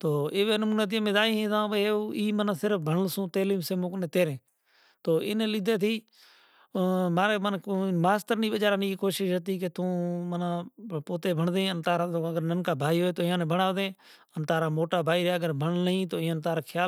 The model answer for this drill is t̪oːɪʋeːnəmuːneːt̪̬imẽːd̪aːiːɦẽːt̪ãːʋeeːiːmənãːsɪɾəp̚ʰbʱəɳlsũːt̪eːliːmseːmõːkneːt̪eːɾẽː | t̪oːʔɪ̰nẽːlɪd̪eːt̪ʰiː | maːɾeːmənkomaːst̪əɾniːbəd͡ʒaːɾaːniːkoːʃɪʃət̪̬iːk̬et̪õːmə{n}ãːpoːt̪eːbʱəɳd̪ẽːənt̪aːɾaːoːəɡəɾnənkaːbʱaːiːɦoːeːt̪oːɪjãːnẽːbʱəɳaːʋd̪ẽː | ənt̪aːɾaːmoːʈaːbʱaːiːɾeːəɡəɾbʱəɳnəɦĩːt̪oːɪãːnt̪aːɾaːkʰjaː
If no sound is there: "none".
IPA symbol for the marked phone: n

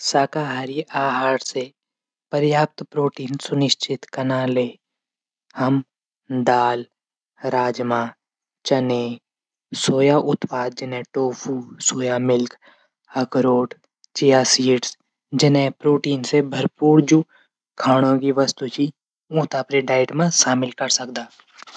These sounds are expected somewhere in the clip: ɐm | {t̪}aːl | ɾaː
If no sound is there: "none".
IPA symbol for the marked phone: d̪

